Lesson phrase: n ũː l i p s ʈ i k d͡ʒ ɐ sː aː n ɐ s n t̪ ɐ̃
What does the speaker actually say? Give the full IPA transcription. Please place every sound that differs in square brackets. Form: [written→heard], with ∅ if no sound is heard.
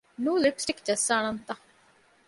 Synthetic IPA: n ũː l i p s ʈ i k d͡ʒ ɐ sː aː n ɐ [s→∅] n t̪ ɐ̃